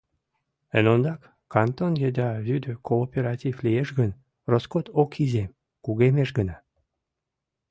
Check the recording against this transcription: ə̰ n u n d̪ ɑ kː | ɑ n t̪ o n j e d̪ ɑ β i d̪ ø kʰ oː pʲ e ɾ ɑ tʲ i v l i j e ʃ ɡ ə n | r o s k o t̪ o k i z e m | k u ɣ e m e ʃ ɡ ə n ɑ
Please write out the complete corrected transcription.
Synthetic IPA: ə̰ n o n d̪ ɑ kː | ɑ n t̪ o n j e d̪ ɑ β y d̪ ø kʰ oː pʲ e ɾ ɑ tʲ i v l i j e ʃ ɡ ə n | r o s k o t̪ o k i z e m | k u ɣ e m e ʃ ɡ ə n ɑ